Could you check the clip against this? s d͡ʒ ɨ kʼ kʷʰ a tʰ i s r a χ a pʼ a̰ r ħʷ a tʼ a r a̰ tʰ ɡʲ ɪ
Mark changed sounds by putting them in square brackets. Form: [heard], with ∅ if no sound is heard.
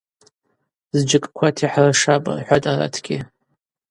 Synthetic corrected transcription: [z] d͡ʒ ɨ kʼ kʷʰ a tʰ i [ħ] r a [ʂ] a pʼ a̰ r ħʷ a tʼ a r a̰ tʰ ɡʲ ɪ

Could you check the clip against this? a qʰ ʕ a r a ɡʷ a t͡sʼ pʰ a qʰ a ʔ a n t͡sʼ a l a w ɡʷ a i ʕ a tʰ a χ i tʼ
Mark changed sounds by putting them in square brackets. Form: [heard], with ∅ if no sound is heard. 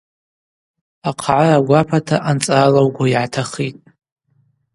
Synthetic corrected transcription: a qʰ ʕ a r a ɡʷ a [∅] pʰ a [tʰ] a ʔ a n t͡sʼ a l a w ɡʷ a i ʕ a tʰ a χ i tʼ

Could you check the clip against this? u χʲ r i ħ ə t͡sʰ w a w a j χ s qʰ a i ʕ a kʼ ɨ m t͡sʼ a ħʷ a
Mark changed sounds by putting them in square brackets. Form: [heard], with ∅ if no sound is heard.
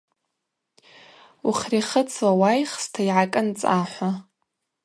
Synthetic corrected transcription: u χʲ r i [χ] ə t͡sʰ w a w a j χ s [tʰ] a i ʕ a kʼ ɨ [n] t͡sʼ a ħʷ a

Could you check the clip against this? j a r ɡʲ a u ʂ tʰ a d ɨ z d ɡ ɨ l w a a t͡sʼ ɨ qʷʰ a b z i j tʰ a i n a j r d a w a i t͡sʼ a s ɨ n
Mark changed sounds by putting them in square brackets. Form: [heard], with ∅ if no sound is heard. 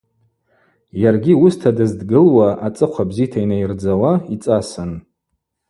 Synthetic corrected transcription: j a r ɡʲ [i] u [s] tʰ a d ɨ z d ɡ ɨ l w a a t͡sʼ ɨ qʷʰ a b z i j tʰ a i n a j r [d͡z] a w a i t͡sʼ a s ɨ n

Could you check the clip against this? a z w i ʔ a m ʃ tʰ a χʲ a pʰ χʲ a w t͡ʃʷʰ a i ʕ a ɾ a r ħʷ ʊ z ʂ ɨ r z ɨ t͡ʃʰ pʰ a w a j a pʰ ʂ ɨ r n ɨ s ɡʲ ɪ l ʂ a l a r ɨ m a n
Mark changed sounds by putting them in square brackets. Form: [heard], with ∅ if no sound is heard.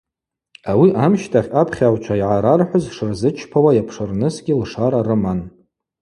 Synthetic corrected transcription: a [∅] w i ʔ a m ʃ tʰ a χʲ a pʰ χʲ a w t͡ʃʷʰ a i ʕ a ɾ a r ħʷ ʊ z ʂ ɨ r z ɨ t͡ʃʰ pʰ a w a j a pʰ ʂ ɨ r n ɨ s ɡʲ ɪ l ʂ a [ɾ] a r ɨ m a n

